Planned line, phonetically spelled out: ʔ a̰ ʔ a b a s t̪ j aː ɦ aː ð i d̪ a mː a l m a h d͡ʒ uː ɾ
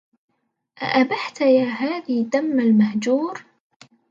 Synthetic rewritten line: ʔ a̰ ʔ a b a ħ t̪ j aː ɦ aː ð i d̪ a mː a l m a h d͡ʒ uː ɾ